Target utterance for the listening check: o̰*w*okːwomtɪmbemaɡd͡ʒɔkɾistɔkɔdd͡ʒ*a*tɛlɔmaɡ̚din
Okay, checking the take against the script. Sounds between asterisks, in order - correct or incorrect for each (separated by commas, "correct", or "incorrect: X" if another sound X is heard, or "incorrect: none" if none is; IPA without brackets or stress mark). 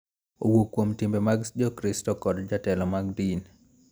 correct, correct